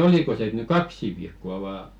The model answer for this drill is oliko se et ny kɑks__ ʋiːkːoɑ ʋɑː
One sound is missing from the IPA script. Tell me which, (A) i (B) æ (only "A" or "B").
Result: A